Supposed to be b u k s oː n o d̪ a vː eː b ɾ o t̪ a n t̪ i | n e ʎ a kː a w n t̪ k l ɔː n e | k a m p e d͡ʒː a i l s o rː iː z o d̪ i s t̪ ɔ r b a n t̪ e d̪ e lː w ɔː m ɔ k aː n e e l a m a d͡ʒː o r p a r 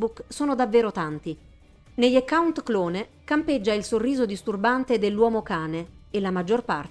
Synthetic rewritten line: b u k s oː n o d̪ a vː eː ɾ o t̪ a n t̪ i | n e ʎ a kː a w n t̪ k l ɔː n e | k a m p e d͡ʒː a i l s o rː iː z o d̪ i s t̪ u r b a n t̪ e d̪ e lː w ɔː m o k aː n e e l a m a d͡ʒː o r p a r